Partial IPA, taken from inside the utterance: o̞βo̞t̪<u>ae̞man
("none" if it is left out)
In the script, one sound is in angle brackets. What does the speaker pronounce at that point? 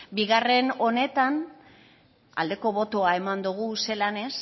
o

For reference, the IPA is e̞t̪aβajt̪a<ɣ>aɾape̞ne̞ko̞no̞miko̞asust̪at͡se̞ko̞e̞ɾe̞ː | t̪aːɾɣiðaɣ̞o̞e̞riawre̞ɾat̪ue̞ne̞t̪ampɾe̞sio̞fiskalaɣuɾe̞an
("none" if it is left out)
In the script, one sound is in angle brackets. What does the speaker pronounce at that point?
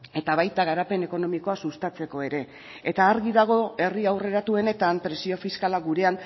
ɣ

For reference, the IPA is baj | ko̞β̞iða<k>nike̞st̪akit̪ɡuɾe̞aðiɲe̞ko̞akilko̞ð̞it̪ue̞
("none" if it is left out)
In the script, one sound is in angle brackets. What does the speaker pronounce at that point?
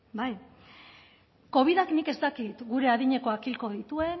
k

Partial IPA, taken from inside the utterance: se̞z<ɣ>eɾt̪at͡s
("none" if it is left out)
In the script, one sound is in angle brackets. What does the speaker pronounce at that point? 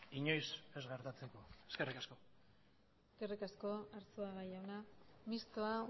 ɣ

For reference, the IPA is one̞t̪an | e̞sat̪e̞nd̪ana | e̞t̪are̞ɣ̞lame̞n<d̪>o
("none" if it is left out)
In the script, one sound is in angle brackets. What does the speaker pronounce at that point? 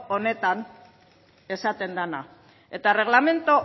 t̪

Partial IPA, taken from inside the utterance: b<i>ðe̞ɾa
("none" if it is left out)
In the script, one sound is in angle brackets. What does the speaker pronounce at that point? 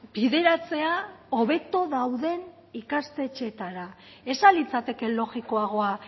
i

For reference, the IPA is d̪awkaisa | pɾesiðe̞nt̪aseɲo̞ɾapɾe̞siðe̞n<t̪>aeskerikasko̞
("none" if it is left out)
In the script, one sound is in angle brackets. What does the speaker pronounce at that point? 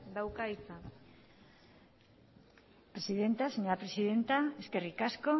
t̪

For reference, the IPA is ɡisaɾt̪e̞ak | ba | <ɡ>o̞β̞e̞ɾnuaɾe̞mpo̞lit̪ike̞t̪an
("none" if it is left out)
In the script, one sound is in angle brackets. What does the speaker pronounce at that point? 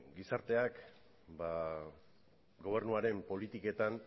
ɡ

